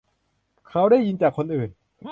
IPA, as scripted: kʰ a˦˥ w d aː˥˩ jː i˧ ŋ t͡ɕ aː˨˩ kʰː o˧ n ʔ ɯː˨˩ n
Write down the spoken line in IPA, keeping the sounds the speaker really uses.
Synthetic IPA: kʰ a˦˥ w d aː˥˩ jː i˧ n t͡ɕ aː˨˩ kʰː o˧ n ʔ ɯː˨˩ n